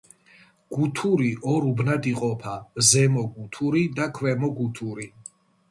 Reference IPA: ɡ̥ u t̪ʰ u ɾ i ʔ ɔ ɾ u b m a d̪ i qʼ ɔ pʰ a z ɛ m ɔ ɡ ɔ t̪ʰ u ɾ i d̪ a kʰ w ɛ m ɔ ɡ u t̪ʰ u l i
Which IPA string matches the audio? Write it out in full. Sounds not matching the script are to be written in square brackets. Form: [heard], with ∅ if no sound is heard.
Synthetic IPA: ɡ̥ u t̪ʰ u ɾ i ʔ ɔ ɾ u b [n] a d̪ i qʼ ɔ pʰ a z ɛ m ɔ ɡ [u] t̪ʰ u ɾ i d̪ a kʰ w ɛ m ɔ ɡ u t̪ʰ u [ɾ] i